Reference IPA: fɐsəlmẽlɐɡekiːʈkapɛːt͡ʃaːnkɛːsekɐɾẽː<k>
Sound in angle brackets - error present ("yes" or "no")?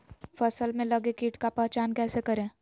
yes